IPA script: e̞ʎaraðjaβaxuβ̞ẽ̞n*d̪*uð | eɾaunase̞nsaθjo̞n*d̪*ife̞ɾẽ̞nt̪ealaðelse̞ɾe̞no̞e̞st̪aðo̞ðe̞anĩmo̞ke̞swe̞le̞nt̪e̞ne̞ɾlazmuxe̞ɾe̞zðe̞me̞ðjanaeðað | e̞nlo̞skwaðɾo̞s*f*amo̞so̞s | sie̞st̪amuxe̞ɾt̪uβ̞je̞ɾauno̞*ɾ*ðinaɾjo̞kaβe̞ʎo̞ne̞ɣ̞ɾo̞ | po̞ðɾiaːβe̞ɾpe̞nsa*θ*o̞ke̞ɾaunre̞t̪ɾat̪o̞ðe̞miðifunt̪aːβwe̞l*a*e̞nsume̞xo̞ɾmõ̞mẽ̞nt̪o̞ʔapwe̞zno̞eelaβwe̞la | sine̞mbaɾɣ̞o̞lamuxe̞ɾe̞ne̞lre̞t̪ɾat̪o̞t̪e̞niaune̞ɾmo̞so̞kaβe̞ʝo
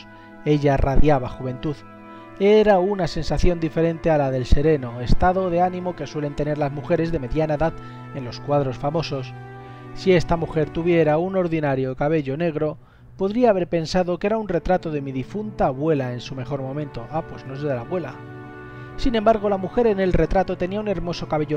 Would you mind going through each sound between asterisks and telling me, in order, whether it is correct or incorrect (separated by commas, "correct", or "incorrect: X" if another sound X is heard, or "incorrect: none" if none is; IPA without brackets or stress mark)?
incorrect: t̪, correct, correct, correct, incorrect: ð, correct